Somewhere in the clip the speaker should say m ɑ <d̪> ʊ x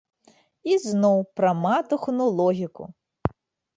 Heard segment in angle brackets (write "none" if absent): t̪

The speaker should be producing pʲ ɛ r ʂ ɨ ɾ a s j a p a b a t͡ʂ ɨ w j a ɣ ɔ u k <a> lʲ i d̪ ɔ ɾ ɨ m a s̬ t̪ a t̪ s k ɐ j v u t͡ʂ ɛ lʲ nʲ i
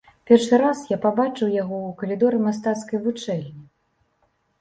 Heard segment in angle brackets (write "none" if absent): ɐ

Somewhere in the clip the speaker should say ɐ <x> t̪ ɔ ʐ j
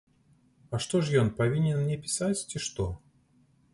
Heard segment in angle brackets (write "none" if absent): ʂ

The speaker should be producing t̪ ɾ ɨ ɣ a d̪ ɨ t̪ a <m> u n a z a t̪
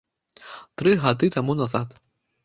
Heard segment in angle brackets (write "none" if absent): m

